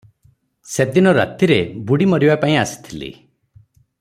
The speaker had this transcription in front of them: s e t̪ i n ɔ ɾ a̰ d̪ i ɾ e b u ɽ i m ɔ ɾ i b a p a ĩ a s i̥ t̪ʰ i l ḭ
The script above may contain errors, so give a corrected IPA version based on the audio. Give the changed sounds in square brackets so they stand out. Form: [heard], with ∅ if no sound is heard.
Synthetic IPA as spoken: s e [d̪] i n ɔ ɾ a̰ [t̪] i ɾ e b u ɽ i m ɔ ɾ i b a p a ĩ a s i̥ t̪ʰ i l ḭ